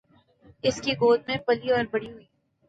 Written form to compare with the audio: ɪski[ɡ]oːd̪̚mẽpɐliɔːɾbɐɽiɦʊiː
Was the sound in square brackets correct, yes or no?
yes